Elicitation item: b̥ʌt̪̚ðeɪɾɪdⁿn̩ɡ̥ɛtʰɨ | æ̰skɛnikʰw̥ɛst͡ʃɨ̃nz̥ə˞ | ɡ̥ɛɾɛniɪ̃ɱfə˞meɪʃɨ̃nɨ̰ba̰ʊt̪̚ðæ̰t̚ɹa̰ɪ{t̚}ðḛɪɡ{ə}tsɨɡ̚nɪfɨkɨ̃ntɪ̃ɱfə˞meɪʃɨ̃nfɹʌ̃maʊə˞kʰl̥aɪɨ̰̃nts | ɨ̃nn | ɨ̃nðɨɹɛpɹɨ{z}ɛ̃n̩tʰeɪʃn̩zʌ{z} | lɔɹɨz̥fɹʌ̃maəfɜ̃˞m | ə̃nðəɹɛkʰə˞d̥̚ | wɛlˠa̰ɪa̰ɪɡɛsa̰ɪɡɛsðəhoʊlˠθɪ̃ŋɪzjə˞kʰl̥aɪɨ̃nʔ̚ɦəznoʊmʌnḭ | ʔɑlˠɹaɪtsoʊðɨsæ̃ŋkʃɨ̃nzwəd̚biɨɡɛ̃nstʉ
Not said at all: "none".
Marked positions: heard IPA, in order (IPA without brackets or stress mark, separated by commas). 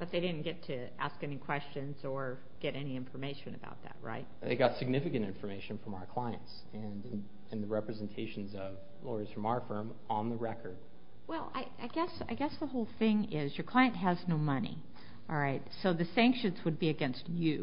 t̚, ɑ, z, v